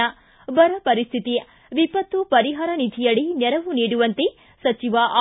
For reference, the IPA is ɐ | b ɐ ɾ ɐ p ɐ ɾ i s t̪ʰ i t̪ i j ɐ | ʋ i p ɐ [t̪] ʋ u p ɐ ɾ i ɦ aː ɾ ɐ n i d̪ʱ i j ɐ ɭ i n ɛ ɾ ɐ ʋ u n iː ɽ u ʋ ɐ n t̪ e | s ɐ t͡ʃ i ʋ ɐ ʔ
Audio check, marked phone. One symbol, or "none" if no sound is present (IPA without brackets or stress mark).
t̪